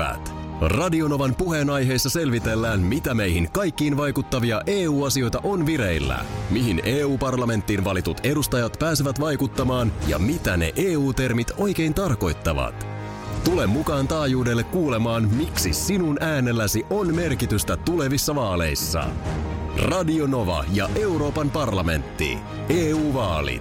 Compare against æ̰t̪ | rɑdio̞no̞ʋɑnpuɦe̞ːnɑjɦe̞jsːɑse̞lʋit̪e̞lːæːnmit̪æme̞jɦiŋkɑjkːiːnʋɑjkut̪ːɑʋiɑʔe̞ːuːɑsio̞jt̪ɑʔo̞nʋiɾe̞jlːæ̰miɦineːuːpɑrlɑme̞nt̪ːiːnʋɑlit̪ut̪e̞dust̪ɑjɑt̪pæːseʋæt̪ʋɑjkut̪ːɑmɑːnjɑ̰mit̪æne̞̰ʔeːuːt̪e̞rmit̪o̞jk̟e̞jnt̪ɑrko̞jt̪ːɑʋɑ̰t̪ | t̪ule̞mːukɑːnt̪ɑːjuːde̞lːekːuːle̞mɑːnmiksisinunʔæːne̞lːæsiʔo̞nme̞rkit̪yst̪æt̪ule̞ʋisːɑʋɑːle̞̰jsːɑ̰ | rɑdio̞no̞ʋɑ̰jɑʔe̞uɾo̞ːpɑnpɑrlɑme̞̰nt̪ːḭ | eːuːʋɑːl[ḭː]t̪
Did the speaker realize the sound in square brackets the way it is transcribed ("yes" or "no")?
no